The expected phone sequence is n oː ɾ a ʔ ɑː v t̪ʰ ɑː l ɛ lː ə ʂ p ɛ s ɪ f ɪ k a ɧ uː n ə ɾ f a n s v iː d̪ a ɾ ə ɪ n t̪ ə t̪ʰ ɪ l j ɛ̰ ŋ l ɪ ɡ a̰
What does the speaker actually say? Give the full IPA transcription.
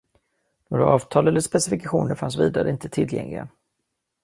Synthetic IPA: n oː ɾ a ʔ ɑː v t̪ʰ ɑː l ɛ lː ə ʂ p ɛ s ɪ f ɪ k a ɧ uː n ə ɾ f a n s v iː d̪ a ɾ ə ɪ n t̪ ə t̪ʰ ɪ l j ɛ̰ ŋ l ɪ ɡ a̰

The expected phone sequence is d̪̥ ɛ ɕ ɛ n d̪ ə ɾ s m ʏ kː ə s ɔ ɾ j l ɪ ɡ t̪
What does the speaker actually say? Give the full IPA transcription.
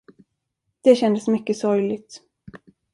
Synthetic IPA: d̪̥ ɛ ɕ ɛ n d̪ ə s m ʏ kː ə s ɔ ɾ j l ɪ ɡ t̪

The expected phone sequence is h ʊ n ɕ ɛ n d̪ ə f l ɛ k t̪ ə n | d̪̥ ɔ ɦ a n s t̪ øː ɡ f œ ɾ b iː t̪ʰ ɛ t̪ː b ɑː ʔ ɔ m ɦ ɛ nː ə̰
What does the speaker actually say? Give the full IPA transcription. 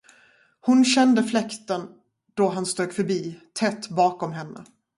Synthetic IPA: h ʊ n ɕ ɛ n d̪ ə f l ɛ k t̪ ə n | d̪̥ ɔ ɦ a n s t̪ øː ɡ f œ ɾ b iː t̪ʰ ɛ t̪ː b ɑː k ɔ m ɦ ɛ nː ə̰

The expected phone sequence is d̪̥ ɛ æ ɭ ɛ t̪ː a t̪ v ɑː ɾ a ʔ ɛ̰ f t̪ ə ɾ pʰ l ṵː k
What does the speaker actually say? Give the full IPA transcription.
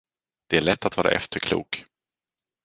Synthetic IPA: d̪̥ ɛ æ ɭ ɛ t̪ː a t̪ v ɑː ɾ a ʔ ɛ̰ f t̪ ə ɾ kʰ l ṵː k

